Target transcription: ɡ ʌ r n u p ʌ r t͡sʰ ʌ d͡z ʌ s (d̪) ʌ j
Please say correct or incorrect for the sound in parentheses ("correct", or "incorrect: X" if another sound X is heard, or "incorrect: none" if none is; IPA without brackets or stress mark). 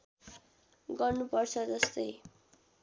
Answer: incorrect: t̪